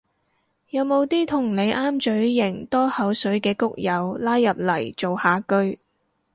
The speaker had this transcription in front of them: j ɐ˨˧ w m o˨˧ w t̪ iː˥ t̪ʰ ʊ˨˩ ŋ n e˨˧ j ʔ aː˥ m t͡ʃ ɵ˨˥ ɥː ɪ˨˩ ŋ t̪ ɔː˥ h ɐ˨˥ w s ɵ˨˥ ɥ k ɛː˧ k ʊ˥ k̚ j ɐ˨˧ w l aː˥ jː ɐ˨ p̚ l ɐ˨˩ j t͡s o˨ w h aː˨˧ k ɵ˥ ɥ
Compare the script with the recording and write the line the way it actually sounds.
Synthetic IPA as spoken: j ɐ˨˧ w m o˨˧ w t̪ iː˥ t̪ʰ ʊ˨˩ ŋ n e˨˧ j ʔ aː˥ m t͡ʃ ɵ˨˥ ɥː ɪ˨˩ ŋ t̪ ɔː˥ h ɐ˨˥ w s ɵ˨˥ ɥ k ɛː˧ k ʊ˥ k̚ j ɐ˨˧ w l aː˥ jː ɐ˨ p̚ l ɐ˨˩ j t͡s o˨ w h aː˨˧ k ɵ˥ ɥ

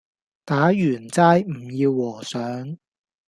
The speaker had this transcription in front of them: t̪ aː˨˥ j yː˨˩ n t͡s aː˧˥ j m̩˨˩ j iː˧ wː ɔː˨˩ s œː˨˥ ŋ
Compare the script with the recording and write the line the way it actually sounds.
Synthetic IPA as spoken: t̪ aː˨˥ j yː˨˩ n t͡s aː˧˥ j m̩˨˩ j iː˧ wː ɔː˨˩ s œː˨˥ ŋ

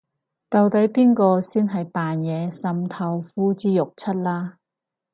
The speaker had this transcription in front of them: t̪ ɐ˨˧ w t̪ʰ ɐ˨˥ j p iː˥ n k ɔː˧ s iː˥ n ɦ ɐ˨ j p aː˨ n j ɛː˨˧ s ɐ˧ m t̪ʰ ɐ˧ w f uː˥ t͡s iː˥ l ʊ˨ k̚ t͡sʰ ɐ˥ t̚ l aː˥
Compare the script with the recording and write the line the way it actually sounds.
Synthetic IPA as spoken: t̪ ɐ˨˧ w t̪ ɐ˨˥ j p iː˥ n k ɔː˧ s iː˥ n ɦ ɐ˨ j p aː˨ n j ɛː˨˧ s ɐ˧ m t̪ʰ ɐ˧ w f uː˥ t͡s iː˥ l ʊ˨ k̚ t͡sʰ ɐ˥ t̚ l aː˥

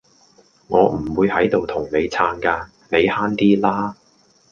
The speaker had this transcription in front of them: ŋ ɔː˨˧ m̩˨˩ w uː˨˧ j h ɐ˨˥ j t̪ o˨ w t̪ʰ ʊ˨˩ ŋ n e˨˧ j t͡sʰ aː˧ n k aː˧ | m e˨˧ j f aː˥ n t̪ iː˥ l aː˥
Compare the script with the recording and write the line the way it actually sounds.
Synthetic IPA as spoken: ŋ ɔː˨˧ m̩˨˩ w uː˨˧ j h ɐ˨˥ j t̪ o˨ w t̪ʰ ʊ˨˩ ŋ n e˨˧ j t͡sʰ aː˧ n k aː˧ | n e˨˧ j h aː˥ n t̪ iː˥ l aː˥

